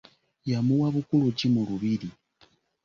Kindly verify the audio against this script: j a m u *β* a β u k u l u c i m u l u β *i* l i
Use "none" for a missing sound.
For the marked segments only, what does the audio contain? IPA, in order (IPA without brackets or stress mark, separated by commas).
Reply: w, i